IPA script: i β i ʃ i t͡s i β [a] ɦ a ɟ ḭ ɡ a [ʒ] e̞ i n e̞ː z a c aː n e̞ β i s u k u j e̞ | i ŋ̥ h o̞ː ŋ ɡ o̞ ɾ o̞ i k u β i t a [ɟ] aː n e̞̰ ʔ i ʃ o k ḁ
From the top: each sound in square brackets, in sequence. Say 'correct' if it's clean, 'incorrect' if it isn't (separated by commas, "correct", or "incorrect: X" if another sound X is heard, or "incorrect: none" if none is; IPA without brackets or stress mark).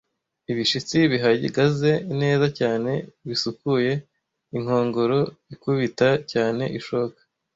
incorrect: i, incorrect: z, incorrect: c